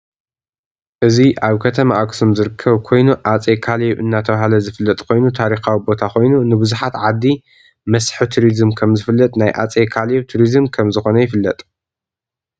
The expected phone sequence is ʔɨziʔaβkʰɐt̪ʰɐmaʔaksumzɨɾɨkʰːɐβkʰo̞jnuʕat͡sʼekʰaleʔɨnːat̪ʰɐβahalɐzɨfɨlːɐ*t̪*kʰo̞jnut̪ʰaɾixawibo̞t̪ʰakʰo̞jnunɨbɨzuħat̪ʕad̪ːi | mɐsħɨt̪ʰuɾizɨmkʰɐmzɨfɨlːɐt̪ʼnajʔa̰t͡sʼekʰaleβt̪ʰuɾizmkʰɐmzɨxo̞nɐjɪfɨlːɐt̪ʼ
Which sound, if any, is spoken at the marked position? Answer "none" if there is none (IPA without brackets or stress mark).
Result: t̪ʼ